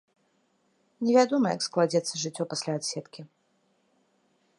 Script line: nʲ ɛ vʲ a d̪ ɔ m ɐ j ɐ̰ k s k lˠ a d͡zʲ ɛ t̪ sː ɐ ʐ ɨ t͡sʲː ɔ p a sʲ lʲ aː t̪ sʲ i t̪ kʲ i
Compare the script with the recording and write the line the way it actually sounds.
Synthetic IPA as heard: nʲ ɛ vʲ a d̪ ɔ m ɐ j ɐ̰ k s k lˠ a d͡zʲ ɛ t̪ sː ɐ ʐ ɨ t͡sʲː ɔ p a sʲ lʲ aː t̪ sʲ ɛ t̪ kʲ i